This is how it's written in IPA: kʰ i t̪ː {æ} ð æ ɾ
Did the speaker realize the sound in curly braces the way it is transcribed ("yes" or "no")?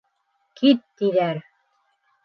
no